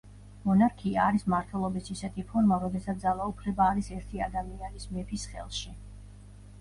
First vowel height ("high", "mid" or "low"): mid